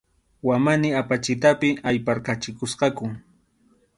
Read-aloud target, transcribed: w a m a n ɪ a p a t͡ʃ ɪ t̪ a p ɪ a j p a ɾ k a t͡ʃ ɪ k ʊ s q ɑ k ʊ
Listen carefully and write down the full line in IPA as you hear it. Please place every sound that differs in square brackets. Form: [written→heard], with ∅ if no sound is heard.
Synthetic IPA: w a m a n ɪ a p a t͡ʃ ɪ t̪ a p ɪ a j p a ɾ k a t͡ʃ ɪ k ʊ s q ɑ k ʊ